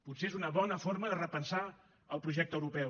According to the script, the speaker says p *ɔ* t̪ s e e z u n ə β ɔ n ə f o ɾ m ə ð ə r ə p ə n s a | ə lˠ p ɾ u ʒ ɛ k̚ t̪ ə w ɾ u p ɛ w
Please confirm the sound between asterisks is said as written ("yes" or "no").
no